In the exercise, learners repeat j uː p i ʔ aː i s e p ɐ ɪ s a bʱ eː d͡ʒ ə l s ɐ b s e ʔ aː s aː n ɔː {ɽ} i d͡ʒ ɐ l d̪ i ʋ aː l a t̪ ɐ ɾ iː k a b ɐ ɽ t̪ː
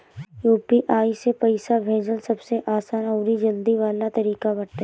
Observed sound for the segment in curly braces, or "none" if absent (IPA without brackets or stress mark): ɾ